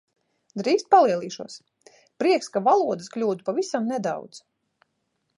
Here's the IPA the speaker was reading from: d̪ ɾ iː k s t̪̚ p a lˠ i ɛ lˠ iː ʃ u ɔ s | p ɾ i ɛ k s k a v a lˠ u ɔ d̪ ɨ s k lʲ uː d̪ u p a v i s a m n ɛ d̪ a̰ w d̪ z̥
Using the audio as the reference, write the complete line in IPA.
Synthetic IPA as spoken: d̪ ɾ iː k s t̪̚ p a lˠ i ɛ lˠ iː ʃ u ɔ s | p ɾ i ɛ k s k a v a lˠ u ɔ d̪ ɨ s k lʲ uː d̪ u p a v i s a m n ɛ d̪ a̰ w d̪ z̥

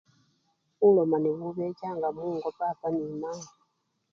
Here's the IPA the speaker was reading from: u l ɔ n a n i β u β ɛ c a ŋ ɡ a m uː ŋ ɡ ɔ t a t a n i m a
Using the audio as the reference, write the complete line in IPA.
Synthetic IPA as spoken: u l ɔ m a n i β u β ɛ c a ŋ ɡ a m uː ŋ ɡ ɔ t a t a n i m a

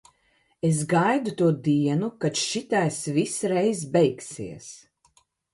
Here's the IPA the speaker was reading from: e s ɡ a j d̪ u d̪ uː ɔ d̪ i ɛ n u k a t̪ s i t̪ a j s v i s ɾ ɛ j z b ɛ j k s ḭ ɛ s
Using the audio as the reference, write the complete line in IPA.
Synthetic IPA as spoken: e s ɡ a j d̪ u t̪ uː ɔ d̪ i ɛ n u k a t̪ ʃ i t̪ a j s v i s ɾ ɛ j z b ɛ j k s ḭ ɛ s

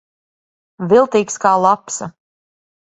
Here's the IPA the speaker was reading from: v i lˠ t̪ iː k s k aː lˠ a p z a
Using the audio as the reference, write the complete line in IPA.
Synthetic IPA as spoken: v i lˠ t̪ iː k s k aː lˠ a p s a

